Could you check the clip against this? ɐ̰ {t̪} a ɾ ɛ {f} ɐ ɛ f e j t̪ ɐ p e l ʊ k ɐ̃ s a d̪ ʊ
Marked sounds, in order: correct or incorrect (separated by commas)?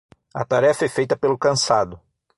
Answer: correct, correct